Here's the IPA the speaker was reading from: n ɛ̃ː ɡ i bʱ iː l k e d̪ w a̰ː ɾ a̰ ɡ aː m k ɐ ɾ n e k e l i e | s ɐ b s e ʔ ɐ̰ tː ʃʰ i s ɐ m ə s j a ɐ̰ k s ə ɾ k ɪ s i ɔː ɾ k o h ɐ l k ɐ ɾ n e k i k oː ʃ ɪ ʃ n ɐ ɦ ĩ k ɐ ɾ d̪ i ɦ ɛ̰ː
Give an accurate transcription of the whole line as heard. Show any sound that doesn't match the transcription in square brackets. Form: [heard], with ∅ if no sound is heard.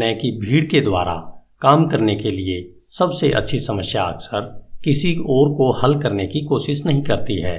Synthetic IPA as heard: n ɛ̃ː [k] i bʱ iː [ɽ] k e d̪ w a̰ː ɾ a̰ [k] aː m k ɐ ɾ n e k e l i e | s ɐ b s e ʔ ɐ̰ tː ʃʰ i s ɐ m ə s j a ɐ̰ k s ə ɾ k ɪ s i ɔː ɾ k o h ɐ l k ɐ ɾ n e k i k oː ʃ ɪ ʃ n ɐ ɦ ĩ k ɐ ɾ [t̪] i ɦ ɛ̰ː